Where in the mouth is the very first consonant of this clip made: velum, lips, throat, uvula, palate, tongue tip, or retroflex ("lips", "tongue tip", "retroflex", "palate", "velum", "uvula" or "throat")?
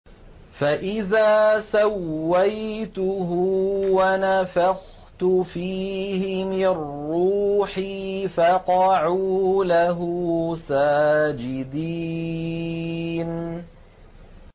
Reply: lips